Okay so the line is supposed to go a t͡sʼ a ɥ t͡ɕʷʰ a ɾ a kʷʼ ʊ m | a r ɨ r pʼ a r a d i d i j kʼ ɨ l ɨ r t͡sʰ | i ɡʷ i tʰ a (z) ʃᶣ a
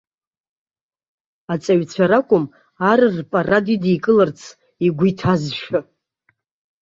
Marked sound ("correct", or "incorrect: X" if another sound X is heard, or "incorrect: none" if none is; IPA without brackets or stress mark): correct